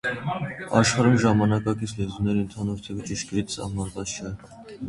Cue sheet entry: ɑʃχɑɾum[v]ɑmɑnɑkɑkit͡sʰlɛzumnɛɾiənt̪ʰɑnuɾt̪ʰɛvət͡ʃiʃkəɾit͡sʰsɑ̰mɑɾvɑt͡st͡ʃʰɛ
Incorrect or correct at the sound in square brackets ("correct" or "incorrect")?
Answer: incorrect